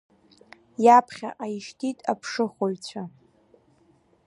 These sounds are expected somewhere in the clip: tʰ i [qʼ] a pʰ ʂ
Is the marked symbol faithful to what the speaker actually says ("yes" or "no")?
no